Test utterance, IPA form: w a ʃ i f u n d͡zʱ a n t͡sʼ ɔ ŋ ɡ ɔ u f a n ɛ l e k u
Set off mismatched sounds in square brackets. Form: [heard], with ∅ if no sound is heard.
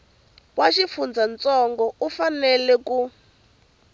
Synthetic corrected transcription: w a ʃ i f u n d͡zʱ a n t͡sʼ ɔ ŋ ɡ ɔ u f a n ɛ l [ɛ] k u